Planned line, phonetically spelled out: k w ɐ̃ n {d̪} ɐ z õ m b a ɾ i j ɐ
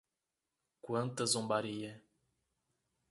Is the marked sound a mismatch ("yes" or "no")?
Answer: yes